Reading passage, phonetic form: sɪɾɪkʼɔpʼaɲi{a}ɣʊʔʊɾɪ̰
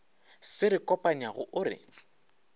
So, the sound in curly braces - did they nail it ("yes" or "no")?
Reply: yes